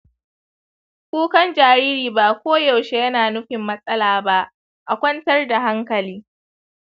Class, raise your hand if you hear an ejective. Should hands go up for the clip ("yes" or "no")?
yes